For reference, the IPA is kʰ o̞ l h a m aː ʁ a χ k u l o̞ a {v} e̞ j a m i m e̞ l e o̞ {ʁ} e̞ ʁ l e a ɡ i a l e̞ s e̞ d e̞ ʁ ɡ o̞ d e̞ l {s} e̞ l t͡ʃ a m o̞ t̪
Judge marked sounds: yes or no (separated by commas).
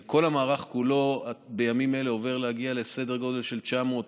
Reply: no, no, no